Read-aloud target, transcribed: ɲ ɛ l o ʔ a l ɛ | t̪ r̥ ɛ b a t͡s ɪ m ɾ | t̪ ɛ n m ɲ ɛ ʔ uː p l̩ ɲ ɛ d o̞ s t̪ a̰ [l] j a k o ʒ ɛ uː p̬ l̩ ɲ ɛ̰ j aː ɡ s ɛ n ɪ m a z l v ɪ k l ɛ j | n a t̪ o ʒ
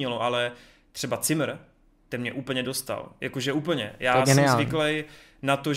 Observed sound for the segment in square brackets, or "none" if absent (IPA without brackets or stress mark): l